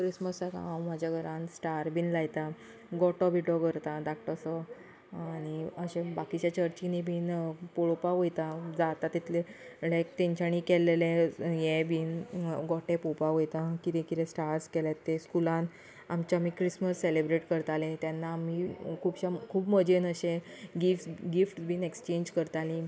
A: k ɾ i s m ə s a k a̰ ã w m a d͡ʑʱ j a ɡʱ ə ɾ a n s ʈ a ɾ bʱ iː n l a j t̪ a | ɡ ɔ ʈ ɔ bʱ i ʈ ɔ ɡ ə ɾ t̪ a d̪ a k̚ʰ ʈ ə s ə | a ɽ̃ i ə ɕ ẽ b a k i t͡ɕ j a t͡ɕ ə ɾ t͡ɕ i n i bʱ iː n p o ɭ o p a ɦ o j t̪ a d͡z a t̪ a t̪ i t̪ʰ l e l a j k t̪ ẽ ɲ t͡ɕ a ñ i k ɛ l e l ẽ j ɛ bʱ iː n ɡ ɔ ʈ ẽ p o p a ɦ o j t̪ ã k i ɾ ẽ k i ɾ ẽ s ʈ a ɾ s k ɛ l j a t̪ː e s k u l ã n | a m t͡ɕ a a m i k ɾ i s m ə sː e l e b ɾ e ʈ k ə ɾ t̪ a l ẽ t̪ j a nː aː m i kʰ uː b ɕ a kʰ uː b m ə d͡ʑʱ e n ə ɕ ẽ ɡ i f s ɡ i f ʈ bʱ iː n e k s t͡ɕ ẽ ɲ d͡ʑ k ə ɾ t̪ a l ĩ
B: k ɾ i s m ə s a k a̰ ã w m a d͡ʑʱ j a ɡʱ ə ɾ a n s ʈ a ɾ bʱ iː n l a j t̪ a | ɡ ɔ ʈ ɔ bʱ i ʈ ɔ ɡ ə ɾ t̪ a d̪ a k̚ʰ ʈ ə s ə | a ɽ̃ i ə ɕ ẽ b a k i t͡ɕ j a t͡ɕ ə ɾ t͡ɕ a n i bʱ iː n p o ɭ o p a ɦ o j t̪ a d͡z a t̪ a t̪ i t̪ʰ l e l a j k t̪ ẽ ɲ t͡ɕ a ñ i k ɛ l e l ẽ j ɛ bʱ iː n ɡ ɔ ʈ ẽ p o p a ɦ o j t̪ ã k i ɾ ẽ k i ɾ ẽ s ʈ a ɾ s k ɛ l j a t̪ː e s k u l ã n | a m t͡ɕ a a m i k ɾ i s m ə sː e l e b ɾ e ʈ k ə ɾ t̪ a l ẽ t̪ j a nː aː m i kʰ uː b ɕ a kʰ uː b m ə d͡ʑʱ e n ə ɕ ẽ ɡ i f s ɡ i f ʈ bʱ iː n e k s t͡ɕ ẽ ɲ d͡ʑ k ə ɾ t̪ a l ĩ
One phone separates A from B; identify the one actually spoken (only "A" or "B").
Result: A